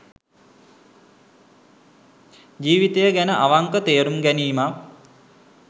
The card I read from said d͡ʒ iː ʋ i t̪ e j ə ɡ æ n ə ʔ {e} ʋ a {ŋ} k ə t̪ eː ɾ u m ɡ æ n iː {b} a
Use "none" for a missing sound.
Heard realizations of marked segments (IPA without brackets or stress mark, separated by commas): a, ŋ, m